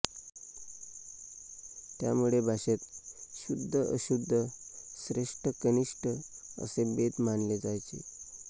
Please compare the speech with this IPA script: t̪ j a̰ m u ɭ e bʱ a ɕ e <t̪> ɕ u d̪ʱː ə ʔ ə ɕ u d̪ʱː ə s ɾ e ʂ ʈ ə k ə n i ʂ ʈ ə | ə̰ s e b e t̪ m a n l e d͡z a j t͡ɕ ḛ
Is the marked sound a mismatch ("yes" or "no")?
no